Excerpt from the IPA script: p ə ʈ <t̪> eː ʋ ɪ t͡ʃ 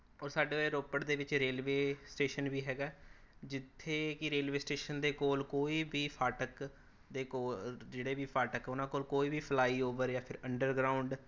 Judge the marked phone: incorrect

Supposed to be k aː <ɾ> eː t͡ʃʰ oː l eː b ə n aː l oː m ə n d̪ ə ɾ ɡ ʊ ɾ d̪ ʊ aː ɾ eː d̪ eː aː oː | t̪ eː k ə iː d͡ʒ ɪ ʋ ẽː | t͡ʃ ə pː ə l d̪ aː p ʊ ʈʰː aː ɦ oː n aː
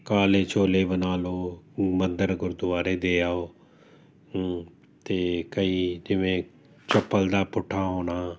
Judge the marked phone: incorrect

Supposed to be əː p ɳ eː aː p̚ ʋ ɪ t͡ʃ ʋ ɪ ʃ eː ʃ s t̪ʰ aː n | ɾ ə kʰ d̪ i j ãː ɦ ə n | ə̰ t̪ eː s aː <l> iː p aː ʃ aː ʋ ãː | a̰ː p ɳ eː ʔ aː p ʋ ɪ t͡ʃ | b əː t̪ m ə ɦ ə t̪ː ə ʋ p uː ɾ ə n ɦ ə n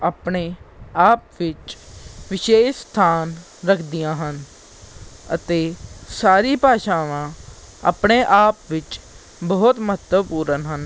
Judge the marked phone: incorrect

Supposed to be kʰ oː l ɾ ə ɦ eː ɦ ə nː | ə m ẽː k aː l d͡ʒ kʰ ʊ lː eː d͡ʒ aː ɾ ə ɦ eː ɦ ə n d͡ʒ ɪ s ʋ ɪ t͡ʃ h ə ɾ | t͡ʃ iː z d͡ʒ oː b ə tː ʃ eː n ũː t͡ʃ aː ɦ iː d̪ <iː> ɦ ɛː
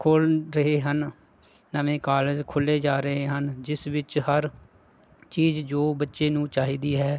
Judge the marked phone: correct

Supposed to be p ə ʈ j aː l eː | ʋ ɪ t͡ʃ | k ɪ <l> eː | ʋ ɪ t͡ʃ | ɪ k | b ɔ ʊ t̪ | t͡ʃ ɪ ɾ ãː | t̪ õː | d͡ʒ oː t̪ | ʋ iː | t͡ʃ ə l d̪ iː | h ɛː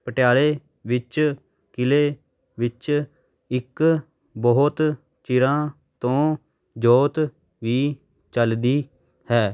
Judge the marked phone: correct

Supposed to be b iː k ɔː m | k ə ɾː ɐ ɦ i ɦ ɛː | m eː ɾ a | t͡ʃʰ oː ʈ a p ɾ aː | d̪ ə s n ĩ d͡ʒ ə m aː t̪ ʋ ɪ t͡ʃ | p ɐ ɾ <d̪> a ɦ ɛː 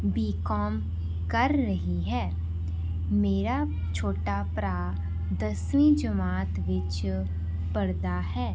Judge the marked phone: correct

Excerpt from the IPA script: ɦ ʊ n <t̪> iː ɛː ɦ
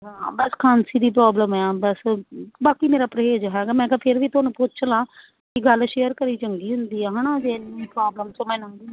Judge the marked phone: incorrect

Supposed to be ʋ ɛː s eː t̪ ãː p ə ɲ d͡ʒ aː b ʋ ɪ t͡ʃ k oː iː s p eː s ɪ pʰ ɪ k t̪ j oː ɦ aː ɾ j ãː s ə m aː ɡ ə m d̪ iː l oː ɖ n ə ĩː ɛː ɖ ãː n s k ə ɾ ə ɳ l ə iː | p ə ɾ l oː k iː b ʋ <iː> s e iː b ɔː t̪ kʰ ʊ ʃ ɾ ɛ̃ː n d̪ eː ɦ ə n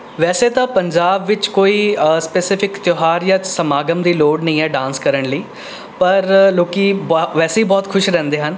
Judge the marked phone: incorrect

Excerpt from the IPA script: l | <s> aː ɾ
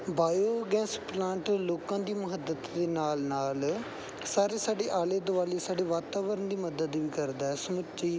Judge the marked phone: correct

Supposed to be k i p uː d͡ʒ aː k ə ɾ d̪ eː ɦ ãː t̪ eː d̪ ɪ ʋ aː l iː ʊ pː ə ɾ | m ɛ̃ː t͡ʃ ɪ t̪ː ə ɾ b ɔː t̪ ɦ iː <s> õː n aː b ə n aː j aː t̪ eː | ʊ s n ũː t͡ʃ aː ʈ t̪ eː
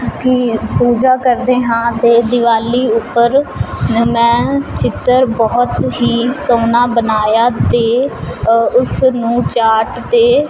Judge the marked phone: correct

